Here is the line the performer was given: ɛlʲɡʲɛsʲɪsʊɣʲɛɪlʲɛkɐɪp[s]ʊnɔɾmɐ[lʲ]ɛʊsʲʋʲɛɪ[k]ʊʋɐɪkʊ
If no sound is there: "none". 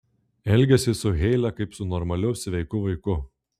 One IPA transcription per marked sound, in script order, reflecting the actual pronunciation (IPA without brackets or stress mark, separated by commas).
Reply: s, lʲ, k